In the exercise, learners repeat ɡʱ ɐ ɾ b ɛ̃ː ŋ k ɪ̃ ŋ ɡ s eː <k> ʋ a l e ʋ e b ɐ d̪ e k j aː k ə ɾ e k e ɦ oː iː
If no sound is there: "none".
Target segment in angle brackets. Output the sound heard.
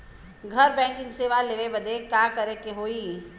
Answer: none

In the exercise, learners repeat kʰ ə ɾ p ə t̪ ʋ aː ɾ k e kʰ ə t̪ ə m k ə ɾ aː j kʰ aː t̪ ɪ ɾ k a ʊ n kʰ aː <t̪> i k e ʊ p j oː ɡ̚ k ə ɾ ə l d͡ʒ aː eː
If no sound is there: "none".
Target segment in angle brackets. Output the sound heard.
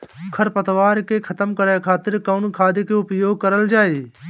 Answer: d̪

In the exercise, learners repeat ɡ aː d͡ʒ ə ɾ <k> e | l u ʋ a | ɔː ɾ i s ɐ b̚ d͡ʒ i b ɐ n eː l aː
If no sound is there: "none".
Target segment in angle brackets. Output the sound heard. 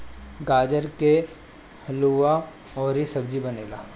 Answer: k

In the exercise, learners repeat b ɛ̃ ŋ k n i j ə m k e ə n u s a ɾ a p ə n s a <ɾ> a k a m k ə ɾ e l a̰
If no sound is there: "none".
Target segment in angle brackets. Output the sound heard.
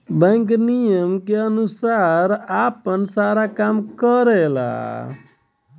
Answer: ɾ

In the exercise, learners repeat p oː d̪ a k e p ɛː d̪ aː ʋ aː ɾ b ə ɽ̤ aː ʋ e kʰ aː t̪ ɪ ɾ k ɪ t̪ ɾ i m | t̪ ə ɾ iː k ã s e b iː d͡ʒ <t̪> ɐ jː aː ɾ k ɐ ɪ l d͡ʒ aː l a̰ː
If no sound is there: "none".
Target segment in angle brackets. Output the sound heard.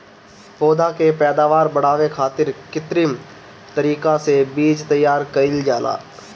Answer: t̪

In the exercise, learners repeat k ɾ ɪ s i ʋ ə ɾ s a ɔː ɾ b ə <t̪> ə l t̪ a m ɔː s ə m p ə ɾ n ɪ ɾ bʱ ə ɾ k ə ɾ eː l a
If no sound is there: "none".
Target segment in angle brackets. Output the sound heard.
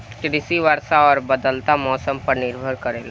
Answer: d̪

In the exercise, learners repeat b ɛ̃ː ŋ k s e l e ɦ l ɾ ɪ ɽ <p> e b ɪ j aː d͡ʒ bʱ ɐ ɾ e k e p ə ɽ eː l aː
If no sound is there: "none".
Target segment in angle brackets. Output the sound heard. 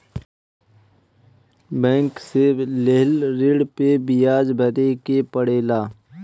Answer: p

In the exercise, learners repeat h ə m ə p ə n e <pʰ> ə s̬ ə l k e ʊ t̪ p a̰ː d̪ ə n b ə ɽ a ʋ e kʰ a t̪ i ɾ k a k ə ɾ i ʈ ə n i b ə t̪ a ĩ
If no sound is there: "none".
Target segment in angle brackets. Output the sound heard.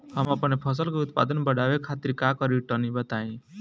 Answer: pʰ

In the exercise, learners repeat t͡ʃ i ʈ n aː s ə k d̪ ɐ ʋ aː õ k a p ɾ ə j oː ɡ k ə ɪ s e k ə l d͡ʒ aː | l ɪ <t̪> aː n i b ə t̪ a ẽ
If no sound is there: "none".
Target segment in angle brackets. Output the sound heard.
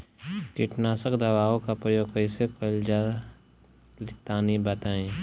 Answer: t̪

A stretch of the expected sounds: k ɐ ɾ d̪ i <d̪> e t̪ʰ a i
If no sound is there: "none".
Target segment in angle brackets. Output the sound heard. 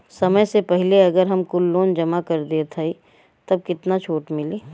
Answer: none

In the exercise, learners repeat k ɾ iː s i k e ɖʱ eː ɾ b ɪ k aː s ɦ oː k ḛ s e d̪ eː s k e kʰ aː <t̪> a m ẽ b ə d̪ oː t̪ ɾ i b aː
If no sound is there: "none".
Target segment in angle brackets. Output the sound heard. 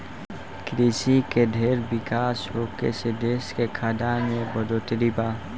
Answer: d̪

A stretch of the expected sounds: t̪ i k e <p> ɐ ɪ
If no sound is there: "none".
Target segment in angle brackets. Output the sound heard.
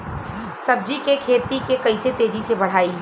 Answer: k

